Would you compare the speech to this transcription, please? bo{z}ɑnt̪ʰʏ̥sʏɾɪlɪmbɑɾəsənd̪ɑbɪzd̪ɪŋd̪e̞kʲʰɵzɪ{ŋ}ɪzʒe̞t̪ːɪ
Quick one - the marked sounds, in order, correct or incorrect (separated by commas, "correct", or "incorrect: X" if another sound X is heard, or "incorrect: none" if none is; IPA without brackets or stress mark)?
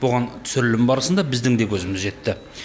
incorrect: ʁ, incorrect: m